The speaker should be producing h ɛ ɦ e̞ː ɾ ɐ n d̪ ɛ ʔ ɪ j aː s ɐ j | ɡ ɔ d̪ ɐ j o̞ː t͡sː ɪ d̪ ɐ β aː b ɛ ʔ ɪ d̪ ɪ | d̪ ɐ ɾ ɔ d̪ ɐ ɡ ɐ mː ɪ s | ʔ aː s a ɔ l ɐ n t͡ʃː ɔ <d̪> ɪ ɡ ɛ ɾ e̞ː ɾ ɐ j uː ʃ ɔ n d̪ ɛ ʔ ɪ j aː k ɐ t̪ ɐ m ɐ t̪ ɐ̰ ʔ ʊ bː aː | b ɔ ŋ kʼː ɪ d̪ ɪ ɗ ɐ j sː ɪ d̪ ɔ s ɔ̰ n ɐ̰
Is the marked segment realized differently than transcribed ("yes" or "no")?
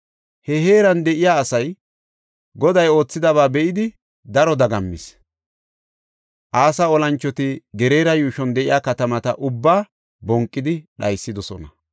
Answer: yes